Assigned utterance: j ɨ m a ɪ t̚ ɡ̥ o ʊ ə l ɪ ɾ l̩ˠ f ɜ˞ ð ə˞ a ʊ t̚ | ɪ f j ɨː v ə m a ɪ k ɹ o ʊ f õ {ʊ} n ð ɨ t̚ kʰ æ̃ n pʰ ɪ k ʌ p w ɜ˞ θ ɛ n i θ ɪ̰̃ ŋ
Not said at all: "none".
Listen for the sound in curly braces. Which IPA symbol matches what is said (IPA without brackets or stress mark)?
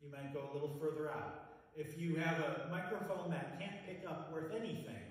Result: ʊ̃